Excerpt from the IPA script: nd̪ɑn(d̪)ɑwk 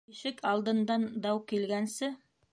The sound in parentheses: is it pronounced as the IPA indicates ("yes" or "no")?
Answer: yes